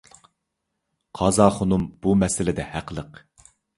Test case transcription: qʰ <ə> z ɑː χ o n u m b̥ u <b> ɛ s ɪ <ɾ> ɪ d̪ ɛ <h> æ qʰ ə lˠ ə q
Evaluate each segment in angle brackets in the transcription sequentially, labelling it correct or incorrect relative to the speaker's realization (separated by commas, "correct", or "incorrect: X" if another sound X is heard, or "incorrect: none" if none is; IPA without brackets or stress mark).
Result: incorrect: ɑ, incorrect: m, incorrect: l, correct